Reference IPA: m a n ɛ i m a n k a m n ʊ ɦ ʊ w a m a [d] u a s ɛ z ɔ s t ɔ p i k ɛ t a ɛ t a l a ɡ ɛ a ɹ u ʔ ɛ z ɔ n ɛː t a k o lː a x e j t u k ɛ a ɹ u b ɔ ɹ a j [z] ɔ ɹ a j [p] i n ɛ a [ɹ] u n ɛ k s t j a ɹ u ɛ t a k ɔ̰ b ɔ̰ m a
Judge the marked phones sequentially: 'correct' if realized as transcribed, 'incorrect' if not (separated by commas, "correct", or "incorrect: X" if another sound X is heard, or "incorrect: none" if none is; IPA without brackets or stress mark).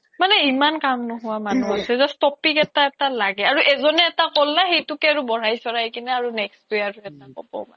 incorrect: n, incorrect: s, incorrect: k, correct